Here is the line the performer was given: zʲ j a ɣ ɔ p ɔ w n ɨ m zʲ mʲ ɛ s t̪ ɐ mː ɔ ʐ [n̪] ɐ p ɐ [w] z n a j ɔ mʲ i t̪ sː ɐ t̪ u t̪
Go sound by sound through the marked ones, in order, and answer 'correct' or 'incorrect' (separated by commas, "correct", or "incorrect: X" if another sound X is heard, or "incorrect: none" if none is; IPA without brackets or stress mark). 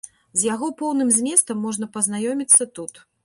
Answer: correct, incorrect: none